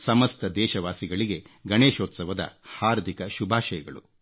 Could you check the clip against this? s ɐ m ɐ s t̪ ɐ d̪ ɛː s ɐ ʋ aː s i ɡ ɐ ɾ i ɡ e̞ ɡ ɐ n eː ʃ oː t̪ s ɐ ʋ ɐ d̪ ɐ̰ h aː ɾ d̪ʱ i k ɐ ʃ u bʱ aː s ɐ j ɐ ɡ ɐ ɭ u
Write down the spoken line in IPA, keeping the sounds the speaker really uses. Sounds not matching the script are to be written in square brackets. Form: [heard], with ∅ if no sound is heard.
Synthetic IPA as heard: s ɐ m ɐ s t̪ ɐ d̪ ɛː [ʃ] ɐ ʋ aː s i ɡ ɐ [ɭ] i ɡ e̞ ɡ ɐ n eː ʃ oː t̪ s ɐ ʋ ɐ d̪ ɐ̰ h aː ɾ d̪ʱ i k ɐ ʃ u bʱ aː [ʃ] ɐ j ɐ ɡ ɐ ɭ u